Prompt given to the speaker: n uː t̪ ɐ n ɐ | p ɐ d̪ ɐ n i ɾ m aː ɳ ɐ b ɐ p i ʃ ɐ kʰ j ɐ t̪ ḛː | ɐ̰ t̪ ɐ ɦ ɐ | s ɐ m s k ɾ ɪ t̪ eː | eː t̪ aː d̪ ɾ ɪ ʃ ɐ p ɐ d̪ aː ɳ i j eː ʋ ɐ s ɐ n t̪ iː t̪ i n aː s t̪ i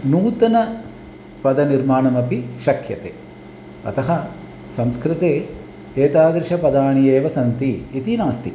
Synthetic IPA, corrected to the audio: n uː t̪ ɐ n ɐ | p ɐ d̪ ɐ n i ɾ m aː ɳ ɐ m ɐ p i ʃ ɐ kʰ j ɐ t̪ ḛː | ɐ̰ t̪ ɐ ɦ ɐ | s ɐ m s k ɾ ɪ t̪ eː | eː t̪ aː d̪ ɾ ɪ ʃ ɐ p ɐ d̪ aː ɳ i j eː ʋ ɐ s ɐ n t̪ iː t̪ i n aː s t̪ i